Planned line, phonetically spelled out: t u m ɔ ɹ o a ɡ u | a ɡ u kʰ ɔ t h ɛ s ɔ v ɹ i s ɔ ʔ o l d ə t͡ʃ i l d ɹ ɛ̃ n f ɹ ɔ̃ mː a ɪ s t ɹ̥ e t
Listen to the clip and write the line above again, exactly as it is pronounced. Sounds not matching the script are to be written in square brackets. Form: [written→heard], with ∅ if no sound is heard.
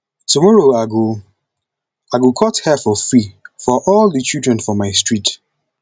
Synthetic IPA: t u m ɔ ɹ o a ɡ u | a ɡ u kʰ ɔ t h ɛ [s→f] ɔ [v→f] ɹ i [s→f] ɔ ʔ [o→ɔ] l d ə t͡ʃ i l d ɹ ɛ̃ n f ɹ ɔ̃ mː a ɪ s t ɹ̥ [e→i] t